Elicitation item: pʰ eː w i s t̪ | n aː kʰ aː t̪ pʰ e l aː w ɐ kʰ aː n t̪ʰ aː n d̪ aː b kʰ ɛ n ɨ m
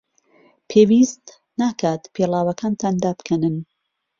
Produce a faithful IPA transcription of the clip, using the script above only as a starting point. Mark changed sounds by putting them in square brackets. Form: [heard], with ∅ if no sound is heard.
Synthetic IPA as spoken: pʰ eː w i s t̪ | n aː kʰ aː t̪ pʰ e l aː w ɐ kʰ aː n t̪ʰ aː n d̪ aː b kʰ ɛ n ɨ [n]